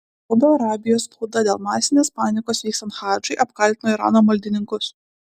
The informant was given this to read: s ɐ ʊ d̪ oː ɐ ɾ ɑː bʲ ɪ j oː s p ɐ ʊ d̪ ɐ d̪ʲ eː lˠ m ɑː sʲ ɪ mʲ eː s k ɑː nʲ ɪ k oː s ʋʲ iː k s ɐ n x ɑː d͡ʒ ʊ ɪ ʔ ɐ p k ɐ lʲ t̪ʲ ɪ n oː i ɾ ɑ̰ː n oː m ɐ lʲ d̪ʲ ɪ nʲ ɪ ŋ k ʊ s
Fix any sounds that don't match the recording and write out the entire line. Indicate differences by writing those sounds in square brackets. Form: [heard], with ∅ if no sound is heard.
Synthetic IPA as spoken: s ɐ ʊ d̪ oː ɐ ɾ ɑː bʲ ɪ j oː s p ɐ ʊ d̪ ɐ d̪ʲ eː lˠ m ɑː sʲ ɪ [nʲ] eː s [p] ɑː nʲ ɪ k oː s ʋʲ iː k s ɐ n x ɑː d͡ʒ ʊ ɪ ʔ ɐ p k ɐ lʲ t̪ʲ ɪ n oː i ɾ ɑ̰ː n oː m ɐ lʲ d̪ʲ ɪ nʲ ɪ ŋ k ʊ s